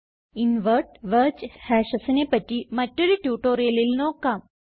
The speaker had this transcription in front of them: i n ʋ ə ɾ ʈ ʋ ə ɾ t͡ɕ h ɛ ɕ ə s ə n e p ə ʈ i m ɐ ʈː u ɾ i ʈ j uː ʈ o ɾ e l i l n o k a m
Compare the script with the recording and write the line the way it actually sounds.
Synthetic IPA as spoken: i n ʋ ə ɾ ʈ ʋ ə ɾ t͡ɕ h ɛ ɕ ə s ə n e p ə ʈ i m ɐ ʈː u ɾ i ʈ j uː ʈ o ɾ e l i l n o k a m